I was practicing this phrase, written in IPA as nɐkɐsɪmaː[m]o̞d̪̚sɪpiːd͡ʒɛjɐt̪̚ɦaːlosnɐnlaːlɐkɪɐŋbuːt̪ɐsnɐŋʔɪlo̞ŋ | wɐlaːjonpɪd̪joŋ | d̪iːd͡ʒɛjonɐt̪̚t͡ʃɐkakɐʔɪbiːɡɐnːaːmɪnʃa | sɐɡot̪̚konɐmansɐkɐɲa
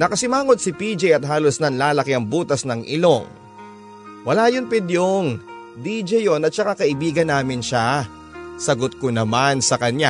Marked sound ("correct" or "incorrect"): incorrect